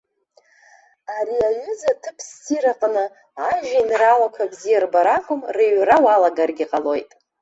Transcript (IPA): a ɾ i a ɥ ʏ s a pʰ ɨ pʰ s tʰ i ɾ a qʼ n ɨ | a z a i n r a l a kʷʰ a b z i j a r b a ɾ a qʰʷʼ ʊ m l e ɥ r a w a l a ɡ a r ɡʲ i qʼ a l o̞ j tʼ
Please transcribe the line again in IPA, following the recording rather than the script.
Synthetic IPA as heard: a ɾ i a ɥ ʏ z a tʰ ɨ pʰ s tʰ i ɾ a qʼ n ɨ | a ʒ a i n r a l a kʷʰ a b z i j a r b a ɾ a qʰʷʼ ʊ m r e ɥ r a w a l a ɡ a r ɡʲ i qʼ a l o̞ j tʼ